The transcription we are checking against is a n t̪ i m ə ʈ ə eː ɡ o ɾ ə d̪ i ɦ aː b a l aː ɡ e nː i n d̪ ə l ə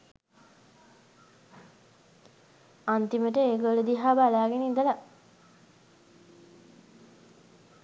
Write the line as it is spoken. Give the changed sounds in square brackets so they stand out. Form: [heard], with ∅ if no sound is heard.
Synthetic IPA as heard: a n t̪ i m ə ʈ ə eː ɡ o [l] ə d̪ i ɦ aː b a l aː ɡ e [n] i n d̪ ə l [a]